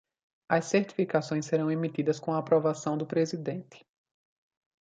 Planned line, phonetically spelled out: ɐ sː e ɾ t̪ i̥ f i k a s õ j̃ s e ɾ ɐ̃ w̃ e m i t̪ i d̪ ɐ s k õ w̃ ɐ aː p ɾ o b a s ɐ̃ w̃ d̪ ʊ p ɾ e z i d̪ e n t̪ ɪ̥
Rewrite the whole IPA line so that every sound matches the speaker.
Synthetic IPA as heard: ɐ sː e ɾ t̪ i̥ f i k a s õ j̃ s e ɾ ɐ̃ w̃ e m i t̪ i d̪ ɐ s k õ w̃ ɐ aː p ɾ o v a s ɐ̃ w̃ d̪ ʊ p ɾ e z i d̪ ẽ n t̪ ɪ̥